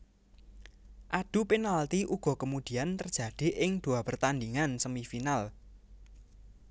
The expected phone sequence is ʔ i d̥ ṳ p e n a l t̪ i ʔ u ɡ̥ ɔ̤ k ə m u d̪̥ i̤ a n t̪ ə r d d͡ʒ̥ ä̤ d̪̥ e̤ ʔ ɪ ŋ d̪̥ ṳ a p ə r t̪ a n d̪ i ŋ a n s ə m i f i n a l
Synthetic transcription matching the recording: ʔ a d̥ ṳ p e n a l t̪ i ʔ u ɡ̥ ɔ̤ k ə m u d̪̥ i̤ a n t̪ ə r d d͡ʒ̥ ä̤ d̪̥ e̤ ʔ ɪ ŋ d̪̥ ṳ a p ə r t̪ a n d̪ i ŋ a n s ə m i f i n a l